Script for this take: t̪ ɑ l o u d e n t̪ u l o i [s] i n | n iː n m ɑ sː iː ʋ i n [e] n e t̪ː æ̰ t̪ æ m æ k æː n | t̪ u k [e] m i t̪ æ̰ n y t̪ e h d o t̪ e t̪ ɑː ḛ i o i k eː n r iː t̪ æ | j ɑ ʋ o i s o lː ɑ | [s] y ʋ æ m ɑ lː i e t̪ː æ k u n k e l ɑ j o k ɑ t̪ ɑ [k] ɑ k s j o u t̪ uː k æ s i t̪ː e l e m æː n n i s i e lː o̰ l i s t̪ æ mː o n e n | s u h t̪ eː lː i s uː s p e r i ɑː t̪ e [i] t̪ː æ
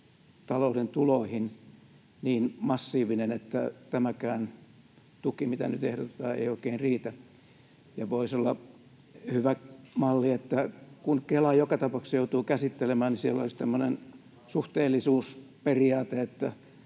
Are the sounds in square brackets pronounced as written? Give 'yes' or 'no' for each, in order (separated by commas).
no, yes, no, no, no, no